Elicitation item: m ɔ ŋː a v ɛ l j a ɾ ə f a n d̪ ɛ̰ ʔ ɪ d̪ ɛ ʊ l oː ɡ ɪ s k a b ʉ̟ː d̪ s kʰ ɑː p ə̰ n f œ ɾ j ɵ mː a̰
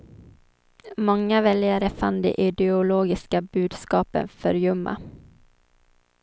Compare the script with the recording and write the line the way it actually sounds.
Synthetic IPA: m ɔ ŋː a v ɛ l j a ɾ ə f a n d̪ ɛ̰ ʔ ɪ d̪ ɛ ʊ l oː ɡ ɪ s k a b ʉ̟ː d̪ s k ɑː p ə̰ n f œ ɾ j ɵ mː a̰